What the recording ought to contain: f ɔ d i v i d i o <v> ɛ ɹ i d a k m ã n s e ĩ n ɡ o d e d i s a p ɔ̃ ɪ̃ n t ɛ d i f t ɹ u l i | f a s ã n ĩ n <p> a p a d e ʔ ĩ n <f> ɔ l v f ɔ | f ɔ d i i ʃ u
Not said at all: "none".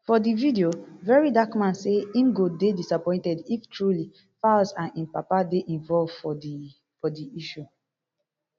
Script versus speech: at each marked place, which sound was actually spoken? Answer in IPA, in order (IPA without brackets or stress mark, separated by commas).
v, p, v